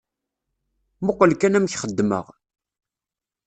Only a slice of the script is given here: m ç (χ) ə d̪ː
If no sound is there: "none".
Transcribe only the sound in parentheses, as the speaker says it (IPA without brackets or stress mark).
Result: χ